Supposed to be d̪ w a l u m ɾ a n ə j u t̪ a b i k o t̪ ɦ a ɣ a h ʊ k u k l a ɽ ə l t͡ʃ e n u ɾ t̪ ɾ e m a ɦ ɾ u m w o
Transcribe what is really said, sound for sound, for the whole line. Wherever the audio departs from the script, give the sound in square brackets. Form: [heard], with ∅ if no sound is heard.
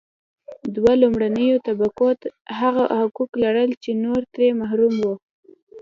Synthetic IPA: d̪ w a l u m [ɽ] a n ə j [o] t̪ a b [a] k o t̪ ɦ a ɣ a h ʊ k u k l a ɽ ə l t͡ʃ e n [o] ɾ t̪ ɾ e m a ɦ ɾ u m w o